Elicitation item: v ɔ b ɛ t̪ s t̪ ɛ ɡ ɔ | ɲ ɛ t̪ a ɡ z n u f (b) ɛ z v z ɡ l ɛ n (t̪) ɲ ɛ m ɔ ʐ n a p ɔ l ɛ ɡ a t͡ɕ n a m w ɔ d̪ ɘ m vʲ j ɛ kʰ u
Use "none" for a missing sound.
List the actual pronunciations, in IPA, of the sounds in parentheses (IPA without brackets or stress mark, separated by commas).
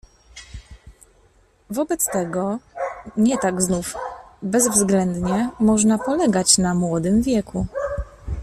b, d̪